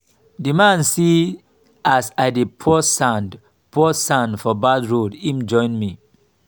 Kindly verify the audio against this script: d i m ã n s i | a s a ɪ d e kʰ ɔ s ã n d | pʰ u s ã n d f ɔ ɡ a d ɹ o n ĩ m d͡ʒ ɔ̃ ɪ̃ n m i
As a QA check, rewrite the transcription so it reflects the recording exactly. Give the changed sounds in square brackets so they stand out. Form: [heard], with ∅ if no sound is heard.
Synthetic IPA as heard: d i m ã n s i | a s a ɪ d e [pʰ] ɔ s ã n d | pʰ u s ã n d f ɔ [b] a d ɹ o [d] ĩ m d͡ʒ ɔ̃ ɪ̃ n m i